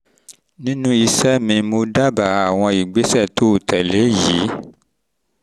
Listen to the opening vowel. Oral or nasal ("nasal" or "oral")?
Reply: nasal